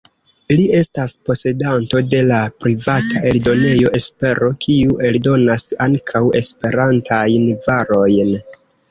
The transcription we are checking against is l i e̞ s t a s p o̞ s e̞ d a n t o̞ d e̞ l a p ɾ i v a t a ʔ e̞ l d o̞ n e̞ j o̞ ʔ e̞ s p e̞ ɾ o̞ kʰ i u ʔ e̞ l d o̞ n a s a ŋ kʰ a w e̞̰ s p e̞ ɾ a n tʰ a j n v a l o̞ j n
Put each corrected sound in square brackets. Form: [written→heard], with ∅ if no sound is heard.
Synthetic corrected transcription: l i e̞ s t a s p o̞ s e̞ d a n t o̞ d e̞ l a p ɾ i v a t a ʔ e̞ l d o̞ n e̞ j o̞ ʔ e̞ s p e̞ ɾ o̞ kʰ i u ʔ e̞ l d o̞ n a s a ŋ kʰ a w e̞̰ s p e̞ ɾ a n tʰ a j n v a [l→ɾ] o̞ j n